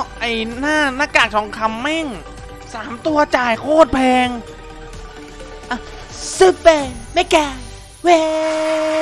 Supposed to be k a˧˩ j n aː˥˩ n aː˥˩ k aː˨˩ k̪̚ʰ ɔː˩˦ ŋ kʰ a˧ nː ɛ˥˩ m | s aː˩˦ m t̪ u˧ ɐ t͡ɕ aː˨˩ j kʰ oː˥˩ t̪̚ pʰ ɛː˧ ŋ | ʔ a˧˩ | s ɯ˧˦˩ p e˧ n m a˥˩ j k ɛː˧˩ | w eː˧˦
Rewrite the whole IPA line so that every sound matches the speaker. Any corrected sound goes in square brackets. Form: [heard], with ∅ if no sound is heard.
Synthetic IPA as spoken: [ʔ] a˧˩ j n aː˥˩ n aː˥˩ k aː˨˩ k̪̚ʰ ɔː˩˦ ŋ kʰ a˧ [mː] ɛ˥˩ [ŋ] | s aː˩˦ m t̪ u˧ ɐ t͡ɕ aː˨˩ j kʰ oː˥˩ t̪̚ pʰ ɛː˧ ŋ | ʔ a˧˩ | s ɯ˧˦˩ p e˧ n m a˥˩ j k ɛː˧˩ | w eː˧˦

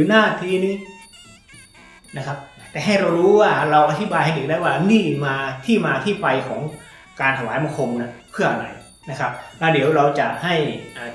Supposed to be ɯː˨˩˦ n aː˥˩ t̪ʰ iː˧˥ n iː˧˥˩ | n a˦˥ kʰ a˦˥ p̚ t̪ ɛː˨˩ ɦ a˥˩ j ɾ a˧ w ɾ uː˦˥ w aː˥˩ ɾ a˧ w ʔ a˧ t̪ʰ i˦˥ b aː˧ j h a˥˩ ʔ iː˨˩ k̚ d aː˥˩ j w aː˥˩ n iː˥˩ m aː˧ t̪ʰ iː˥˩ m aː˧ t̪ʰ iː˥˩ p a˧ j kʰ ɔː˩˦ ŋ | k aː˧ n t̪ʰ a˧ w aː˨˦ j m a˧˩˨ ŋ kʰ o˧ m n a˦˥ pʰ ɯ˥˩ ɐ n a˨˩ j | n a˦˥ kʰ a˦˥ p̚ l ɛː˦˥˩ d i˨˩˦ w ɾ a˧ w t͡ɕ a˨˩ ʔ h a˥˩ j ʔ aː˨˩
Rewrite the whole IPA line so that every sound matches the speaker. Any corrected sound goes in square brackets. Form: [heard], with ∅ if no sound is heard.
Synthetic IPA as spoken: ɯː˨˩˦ n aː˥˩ t̪ʰ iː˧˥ n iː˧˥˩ | n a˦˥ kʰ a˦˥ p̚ t̪ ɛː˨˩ ɦ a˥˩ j ɾ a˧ w ɾ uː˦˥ w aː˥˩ ɾ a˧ w ʔ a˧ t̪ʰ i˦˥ b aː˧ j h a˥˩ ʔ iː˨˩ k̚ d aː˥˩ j w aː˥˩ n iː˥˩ m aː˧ t̪ʰ iː˥˩ m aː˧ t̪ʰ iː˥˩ p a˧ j kʰ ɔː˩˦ ŋ | k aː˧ n t̪ʰ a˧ w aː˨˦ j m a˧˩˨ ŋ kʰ o˧ m n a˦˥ pʰ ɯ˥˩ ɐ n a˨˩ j | n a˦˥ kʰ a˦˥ p̚ l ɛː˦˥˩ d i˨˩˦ w ɾ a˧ w t͡ɕ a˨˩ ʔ h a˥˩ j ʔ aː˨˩

